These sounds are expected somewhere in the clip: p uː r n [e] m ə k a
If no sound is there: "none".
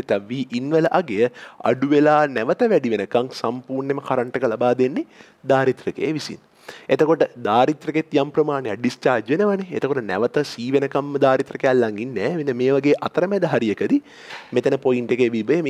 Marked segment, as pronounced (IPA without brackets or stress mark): e